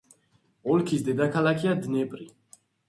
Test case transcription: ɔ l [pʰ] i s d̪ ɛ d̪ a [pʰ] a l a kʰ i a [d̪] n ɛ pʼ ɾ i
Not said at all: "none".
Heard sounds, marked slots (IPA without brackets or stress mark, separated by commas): kʰ, kʰ, d̪